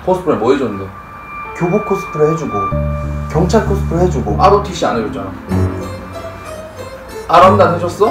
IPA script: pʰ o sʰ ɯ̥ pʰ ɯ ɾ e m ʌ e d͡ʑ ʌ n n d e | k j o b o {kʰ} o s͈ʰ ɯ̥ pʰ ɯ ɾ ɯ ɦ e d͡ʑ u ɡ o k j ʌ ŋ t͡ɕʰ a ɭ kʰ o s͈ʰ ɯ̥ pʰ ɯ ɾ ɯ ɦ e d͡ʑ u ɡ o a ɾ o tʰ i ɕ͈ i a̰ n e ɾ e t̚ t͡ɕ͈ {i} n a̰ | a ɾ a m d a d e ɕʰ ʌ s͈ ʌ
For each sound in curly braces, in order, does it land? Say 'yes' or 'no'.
yes, no

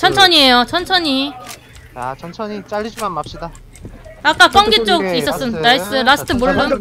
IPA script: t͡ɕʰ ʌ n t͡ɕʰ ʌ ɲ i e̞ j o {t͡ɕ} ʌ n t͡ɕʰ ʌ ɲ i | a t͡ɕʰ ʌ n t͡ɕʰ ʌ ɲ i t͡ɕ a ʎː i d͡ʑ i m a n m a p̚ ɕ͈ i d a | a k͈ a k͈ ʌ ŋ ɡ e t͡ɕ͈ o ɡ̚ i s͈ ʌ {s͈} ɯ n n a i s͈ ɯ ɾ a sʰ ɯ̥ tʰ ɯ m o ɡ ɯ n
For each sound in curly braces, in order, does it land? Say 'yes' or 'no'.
no, yes

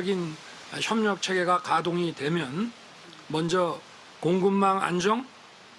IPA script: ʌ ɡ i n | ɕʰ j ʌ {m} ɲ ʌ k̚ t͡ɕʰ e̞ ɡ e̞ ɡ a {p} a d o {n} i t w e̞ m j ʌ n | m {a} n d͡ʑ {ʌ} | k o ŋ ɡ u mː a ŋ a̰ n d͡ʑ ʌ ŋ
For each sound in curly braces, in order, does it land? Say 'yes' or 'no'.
yes, no, no, no, yes

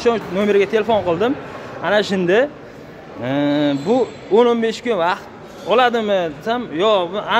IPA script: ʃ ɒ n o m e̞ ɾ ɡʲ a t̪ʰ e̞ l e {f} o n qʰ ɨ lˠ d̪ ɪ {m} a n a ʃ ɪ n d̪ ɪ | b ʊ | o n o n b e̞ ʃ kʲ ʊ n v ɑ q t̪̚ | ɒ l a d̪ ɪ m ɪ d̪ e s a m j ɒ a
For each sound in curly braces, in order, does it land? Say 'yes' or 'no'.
yes, yes

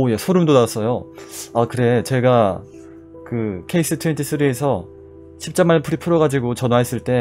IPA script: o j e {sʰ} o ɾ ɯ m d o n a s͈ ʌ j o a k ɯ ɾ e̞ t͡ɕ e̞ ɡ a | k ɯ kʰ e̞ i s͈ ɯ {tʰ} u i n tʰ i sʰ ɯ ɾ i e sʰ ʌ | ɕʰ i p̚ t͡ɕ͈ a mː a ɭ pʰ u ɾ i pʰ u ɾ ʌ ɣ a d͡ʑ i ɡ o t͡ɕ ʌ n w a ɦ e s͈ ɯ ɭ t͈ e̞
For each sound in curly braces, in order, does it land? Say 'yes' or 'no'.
yes, yes

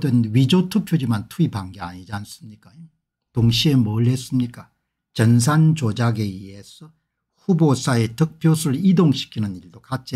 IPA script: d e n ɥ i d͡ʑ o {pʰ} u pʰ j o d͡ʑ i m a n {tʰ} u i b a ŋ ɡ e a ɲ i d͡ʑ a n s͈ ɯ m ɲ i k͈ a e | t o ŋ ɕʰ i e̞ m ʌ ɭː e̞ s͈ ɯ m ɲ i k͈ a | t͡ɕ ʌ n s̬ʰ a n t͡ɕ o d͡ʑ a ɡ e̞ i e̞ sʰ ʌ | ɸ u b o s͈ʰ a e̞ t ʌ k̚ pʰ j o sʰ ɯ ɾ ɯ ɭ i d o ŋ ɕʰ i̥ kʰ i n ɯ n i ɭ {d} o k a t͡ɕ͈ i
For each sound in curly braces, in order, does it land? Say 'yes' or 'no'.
no, yes, yes

